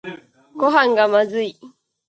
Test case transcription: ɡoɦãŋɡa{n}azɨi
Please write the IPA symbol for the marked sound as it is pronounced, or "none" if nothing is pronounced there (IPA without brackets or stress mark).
m